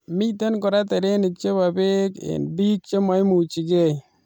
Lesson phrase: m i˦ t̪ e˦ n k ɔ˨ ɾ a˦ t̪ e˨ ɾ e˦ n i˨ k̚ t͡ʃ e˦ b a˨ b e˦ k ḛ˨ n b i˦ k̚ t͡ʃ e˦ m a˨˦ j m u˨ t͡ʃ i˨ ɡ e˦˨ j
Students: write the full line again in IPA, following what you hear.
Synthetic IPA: m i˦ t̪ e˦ n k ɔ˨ ɾ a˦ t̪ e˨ ɾ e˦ n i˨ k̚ t͡ʃ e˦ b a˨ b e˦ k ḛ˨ n b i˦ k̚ t͡ʃ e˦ m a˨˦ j m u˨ t͡ʃ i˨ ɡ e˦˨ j